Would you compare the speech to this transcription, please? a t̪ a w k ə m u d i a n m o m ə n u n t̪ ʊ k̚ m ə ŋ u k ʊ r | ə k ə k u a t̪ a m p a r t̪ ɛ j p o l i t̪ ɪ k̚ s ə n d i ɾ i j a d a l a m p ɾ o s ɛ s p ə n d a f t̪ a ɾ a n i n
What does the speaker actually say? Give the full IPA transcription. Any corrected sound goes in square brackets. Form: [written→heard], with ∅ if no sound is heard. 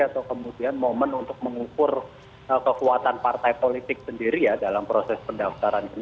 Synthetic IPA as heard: a t̪ a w k ə m u d i a n m o m ə n u n t̪ ʊ k̚ m ə ŋ u k ʊ r | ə k ə k u a t̪ a [m→n] p a r t̪ [ɛ→a] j p o l i t̪ ɪ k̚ s ə n d i ɾ i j a d a l a m p ɾ o s ɛ s p ə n d a f t̪ a ɾ a n i n

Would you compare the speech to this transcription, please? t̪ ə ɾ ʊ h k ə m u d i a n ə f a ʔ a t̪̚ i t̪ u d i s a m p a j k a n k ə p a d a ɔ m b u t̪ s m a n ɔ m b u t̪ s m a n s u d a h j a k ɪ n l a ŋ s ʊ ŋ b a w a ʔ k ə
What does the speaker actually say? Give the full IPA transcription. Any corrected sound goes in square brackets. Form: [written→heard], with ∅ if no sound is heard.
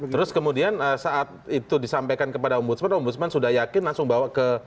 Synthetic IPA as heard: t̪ ə ɾ ʊ [h→s] k ə m u d i a n ə [f→s] a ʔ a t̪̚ i t̪ u d i s a m p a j k a n k ə p a d a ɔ m b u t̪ s m a n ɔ m b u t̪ s m a n s u d a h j a k ɪ n l a ŋ s ʊ ŋ b a w a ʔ k ə

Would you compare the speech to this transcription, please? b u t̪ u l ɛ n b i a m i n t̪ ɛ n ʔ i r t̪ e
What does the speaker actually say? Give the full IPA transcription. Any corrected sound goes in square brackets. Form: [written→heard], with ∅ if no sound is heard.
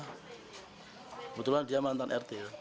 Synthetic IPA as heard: b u t̪ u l [ɛ→a] n [b→d] i a m [i→a] n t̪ [ɛ→a] n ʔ [i→ɛ] r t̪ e

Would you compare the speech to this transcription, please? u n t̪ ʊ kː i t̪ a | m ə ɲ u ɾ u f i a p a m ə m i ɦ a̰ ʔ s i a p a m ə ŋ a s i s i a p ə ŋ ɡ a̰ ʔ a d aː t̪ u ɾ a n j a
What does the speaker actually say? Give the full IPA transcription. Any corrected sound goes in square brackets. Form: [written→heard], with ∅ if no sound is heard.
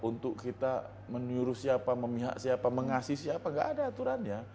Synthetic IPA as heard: u n t̪ ʊ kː i t̪ a | m ə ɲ u ɾ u [f→s] i a p a m ə m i ɦ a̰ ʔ s i a p a m ə ŋ a s i s i a p [ə→a] ŋ ɡ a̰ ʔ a d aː t̪ u ɾ a n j a

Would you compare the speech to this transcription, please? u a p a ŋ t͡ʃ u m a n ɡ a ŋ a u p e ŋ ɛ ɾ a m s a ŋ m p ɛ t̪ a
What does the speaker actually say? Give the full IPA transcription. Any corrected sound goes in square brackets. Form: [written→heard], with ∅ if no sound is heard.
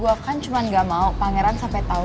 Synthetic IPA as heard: u a [p→k] a [ŋ→n] t͡ʃ u m a n ɡ a [ŋ→m] a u p [e→a] ŋ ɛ ɾ a [m→n] s a [ŋ→∅] m p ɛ t̪ a

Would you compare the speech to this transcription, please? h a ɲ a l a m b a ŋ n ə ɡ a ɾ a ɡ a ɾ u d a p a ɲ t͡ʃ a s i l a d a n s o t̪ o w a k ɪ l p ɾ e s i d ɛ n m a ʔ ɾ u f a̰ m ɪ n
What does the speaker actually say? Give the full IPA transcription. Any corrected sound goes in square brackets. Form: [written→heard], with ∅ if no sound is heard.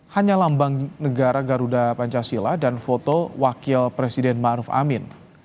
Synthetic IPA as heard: h a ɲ a l a m b a ŋ n ə ɡ a ɾ a ɡ a ɾ u d a p a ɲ t͡ʃ a s i l a d a n [s→f] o t̪ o w a k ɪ l p ɾ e s i d ɛ n m a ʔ ɾ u f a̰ m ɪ n

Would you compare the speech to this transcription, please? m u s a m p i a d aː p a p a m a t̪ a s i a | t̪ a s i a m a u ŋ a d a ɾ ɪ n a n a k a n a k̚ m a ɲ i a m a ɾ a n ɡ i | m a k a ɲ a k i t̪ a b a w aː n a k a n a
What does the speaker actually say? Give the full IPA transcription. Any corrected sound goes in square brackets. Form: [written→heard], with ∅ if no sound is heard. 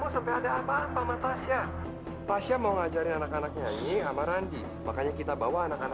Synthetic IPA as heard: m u s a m p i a d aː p a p a m a t̪ a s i a | t̪ a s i a m a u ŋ a [d→d͡ʒ] a ɾ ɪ n a n a k a n a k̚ [m→ɲ] a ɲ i a m a ɾ a n [ɡ→d] i | m a k a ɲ a k i t̪ a b a w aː n a k a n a

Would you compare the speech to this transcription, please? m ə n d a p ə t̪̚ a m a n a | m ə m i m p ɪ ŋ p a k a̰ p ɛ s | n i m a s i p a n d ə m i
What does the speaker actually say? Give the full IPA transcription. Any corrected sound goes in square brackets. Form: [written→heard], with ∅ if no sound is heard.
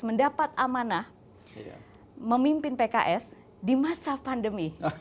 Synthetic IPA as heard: m ə n d a p [ə→a] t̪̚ a m a n a | m ə m i m p ɪ [ŋ→n] p [a→e] k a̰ [p→ʔ] ɛ s | [n→d] i m a s [i→a] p a n d ə m i

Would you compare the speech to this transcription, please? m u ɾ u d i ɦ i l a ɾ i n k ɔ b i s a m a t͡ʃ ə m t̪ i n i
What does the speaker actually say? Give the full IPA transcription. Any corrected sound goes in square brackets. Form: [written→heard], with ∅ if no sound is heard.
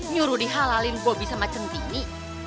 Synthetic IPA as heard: [m→ɲ] u ɾ u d i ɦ [i→a] l a [ɾ→l] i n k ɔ b i s a m a t͡ʃ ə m t̪ i n i

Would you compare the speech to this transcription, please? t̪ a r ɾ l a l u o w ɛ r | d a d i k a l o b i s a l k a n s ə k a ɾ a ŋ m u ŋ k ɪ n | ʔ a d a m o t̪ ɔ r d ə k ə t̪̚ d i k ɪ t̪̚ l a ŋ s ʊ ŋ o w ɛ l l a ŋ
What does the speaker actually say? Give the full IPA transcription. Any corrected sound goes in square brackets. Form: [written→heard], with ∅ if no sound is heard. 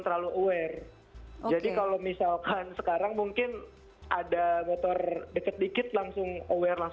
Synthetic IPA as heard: t̪ [a→ə] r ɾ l a l u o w ɛ r | [d→d͡ʒ] a d i k a l o [b→m] i s a l k a n s ə k a ɾ a ŋ m u ŋ k ɪ n | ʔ a d a m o t̪ ɔ r d ə k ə t̪̚ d i k ɪ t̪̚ l a ŋ s ʊ ŋ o w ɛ [l→r] l a ŋ

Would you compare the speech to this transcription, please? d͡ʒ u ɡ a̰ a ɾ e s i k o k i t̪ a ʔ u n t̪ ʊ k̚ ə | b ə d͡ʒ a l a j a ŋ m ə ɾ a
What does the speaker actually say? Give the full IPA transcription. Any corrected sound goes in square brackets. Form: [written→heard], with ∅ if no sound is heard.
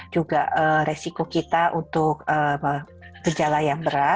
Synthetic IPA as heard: d͡ʒ u ɡ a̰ [a→ə] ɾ e s i k o k i t̪ a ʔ u n t̪ ʊ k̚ ə | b ə d͡ʒ a l a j a ŋ [m→b] ə ɾ a

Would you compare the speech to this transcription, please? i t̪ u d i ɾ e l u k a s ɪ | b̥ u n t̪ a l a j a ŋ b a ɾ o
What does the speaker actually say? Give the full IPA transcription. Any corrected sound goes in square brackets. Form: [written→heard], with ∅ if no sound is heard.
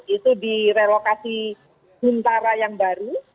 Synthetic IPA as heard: i t̪ u d i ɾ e l [u→o] k a s [ɪ→i] | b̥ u n t̪ a [l→ɾ] a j a ŋ b a ɾ [o→u]

